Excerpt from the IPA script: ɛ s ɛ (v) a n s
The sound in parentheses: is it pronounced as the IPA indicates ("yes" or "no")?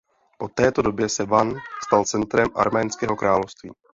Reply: yes